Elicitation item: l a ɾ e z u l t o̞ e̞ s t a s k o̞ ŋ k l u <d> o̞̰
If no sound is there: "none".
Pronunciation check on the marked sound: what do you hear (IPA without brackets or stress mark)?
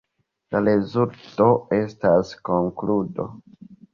d